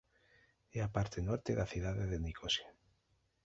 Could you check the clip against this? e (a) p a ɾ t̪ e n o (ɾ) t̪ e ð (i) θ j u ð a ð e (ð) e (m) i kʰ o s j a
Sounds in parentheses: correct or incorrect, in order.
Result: correct, correct, incorrect: a, correct, incorrect: n

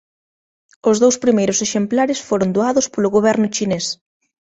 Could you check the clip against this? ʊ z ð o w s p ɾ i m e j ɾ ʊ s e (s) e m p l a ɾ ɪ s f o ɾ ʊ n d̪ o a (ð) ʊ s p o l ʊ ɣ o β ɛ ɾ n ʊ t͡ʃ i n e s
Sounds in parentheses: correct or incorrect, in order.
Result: incorrect: ʃ, correct

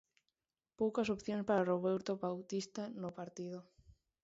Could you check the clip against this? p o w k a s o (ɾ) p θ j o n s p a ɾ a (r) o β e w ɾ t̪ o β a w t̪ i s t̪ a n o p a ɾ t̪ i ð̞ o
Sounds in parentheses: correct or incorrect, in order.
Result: incorrect: none, correct

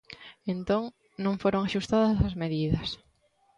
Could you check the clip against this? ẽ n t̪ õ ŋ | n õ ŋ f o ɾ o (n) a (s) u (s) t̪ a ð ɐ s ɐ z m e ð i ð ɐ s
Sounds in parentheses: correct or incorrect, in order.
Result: incorrect: ŋ, incorrect: ʃ, correct

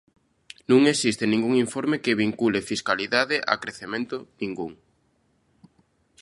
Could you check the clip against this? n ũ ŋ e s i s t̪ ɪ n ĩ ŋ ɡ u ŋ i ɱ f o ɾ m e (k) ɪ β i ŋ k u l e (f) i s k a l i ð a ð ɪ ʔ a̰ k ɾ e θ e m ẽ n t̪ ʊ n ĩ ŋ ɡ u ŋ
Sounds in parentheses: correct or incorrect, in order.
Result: correct, correct

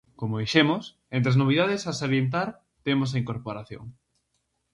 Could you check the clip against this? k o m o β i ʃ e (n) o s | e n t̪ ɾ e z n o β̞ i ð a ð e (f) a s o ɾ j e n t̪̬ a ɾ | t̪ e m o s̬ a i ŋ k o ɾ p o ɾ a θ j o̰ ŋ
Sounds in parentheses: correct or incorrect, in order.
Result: incorrect: m, incorrect: s

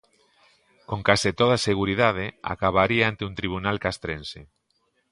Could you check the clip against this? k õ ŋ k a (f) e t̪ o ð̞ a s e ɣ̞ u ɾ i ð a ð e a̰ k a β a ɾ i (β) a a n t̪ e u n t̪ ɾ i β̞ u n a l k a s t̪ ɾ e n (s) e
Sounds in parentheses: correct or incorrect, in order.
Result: incorrect: s, incorrect: none, correct

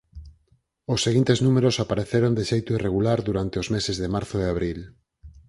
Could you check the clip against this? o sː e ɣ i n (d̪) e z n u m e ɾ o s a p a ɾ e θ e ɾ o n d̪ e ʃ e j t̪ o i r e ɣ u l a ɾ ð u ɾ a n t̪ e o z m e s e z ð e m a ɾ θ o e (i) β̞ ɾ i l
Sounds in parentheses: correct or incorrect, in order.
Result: incorrect: t̪, incorrect: a

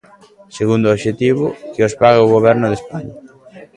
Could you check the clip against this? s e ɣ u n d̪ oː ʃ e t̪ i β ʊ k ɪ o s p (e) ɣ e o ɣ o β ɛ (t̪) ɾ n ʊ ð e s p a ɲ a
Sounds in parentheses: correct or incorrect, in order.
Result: incorrect: a, incorrect: none

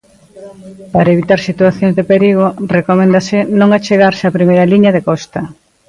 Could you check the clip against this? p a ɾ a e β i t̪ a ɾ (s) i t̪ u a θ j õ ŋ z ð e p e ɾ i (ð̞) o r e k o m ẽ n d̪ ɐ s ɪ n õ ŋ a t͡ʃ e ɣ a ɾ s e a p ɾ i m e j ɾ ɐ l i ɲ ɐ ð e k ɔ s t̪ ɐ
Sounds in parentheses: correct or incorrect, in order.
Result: correct, incorrect: ɣ̞

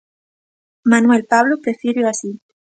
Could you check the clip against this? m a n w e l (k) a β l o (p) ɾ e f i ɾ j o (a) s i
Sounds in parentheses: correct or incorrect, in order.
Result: incorrect: p, correct, correct

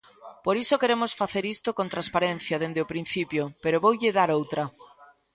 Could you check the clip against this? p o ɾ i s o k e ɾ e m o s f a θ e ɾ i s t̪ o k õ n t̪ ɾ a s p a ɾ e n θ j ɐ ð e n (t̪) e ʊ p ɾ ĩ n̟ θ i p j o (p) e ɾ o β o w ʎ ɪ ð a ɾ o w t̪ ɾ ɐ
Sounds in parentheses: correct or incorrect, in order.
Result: incorrect: d̪, correct

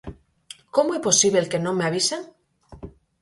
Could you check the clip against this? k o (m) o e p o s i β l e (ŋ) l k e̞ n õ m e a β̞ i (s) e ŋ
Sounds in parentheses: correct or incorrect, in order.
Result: correct, incorrect: none, correct

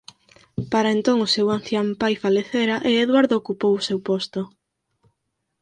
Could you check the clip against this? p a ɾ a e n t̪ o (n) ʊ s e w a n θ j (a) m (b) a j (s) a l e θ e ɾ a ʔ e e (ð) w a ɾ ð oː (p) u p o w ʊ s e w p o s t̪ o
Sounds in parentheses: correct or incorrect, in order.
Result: incorrect: ŋ, correct, incorrect: p, incorrect: f, correct, incorrect: k

